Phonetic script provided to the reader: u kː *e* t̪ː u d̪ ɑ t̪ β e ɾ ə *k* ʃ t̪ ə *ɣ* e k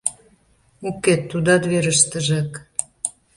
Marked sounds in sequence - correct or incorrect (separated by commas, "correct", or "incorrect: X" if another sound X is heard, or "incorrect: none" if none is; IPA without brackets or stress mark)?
correct, incorrect: none, incorrect: ʒ